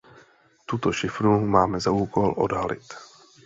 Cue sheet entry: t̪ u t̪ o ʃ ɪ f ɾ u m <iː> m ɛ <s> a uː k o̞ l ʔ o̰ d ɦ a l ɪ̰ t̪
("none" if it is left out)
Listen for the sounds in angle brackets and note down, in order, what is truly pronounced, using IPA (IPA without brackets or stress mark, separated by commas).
aː, z